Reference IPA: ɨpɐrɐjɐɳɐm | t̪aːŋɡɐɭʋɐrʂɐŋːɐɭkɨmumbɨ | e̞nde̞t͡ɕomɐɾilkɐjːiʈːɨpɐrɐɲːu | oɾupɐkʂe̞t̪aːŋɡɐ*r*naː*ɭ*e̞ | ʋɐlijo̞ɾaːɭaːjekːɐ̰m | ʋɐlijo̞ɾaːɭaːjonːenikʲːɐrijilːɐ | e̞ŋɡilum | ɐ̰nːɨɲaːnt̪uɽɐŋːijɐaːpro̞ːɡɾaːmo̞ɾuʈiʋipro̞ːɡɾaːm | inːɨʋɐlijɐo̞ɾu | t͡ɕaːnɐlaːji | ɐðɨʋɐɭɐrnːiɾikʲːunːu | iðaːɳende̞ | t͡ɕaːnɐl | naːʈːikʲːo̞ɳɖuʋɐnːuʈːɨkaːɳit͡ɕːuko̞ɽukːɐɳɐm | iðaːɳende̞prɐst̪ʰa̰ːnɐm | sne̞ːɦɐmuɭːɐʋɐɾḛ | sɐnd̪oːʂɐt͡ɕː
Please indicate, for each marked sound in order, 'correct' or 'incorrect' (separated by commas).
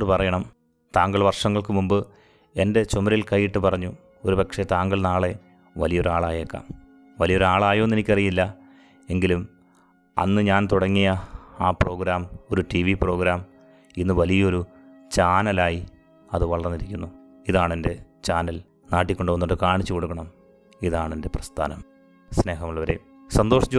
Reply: incorrect, correct